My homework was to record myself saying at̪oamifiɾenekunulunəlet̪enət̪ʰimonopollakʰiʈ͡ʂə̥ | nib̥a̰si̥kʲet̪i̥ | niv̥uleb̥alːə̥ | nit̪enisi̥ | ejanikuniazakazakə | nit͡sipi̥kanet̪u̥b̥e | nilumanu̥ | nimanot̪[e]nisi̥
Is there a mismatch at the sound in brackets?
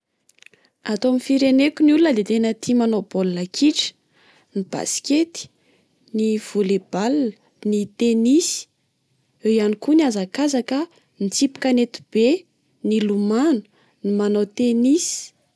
no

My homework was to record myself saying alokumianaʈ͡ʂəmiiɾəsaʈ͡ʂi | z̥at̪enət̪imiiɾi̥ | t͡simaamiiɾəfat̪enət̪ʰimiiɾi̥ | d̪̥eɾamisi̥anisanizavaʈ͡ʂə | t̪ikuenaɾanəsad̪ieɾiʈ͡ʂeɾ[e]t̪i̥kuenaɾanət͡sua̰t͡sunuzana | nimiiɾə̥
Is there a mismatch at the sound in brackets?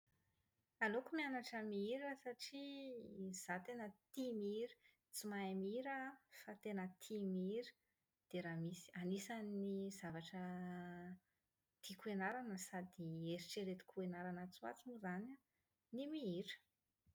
no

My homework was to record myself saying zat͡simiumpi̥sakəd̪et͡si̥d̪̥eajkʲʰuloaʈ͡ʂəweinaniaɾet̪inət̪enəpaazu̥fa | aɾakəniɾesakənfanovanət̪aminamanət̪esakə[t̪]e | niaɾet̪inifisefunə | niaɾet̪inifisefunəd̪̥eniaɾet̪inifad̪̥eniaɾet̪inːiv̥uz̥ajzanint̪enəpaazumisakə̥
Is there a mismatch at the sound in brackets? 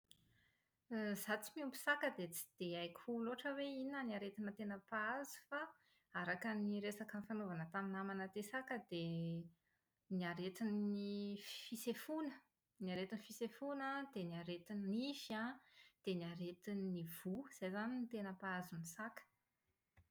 yes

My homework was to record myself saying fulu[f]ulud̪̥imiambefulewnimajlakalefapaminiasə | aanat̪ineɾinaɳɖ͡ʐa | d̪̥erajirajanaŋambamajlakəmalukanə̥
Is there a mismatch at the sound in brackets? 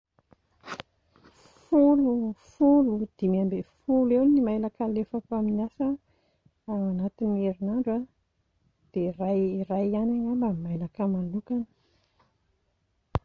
no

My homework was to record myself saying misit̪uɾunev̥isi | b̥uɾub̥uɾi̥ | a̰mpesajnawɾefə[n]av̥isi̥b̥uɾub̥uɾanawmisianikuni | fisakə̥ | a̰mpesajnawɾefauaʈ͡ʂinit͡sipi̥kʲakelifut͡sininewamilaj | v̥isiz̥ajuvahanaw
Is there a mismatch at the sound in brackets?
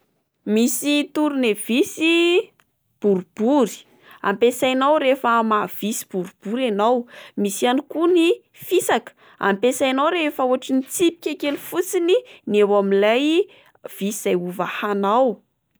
yes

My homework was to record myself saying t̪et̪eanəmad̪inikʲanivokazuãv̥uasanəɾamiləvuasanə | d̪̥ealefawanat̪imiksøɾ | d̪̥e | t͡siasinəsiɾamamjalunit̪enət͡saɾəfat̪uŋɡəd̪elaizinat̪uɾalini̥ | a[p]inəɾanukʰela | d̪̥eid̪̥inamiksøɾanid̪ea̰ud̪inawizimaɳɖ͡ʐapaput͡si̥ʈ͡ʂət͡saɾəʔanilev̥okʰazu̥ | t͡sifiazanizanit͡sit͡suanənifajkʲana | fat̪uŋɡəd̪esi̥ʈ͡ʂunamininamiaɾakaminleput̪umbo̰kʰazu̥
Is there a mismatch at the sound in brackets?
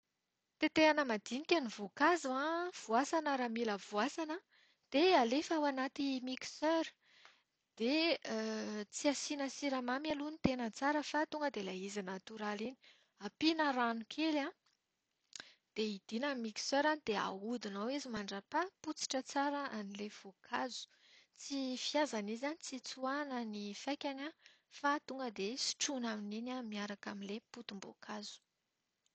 no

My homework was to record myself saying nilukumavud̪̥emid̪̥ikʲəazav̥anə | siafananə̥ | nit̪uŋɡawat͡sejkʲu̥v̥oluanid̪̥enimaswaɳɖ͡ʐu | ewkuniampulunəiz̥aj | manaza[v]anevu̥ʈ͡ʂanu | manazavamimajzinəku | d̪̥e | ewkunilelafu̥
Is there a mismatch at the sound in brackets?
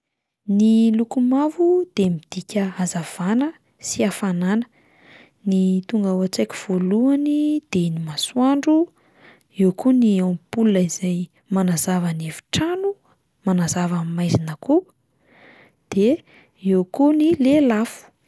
no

